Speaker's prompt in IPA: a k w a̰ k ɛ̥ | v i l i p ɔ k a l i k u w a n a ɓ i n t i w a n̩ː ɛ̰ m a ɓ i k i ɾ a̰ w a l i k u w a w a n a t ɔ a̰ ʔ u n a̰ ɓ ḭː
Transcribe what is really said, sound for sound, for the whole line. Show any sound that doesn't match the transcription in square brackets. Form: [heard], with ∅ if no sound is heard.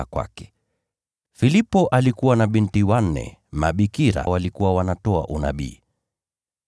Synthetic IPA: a k w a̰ k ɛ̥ | [f] i l i p ɔ [ʔ] a l i k u w a n a ɓ i n t i w a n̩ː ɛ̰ m a ɓ i k i ɾ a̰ w a l i k u w a w a n a t ɔ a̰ ʔ u n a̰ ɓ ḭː